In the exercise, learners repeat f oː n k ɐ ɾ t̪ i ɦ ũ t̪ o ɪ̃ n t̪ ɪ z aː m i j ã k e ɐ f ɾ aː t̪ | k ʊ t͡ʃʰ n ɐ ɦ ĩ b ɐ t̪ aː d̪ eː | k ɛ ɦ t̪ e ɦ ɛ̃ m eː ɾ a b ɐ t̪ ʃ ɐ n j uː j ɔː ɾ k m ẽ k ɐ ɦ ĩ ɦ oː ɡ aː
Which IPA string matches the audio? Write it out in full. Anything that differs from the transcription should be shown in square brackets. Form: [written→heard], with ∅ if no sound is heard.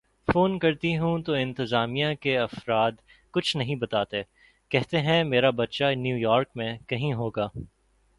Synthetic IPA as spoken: f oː n k ɐ ɾ t̪ i ɦ ũ t̪ o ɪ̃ n t̪ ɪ z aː m i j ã k e ɐ f ɾ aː [t̪→d̪] | k ʊ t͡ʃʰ n ɐ ɦ ĩ b ɐ t̪ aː [d̪→t̪] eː | k ɛ ɦ t̪ e ɦ ɛ̃ m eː ɾ a b ɐ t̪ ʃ [ɐ→a] n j uː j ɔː ɾ k m ẽ k ɐ ɦ ĩ ɦ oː ɡ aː